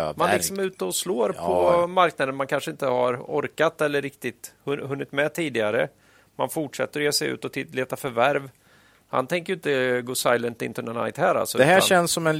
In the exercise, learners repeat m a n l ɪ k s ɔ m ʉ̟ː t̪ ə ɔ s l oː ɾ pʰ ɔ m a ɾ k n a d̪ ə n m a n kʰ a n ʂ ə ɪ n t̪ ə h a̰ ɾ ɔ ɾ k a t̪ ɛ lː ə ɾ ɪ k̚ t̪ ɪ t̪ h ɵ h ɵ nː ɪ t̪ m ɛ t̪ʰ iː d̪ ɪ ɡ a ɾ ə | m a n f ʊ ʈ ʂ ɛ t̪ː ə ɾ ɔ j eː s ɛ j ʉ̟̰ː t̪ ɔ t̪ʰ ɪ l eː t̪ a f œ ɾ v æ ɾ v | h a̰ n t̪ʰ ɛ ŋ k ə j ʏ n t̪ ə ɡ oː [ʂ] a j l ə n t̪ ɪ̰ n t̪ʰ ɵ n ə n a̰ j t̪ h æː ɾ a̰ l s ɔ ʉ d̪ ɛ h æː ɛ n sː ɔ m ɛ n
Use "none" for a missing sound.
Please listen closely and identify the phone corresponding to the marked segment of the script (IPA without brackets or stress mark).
s